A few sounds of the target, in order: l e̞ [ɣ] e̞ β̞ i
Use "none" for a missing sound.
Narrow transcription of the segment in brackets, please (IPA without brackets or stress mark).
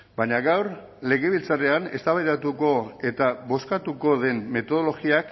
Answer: ɣ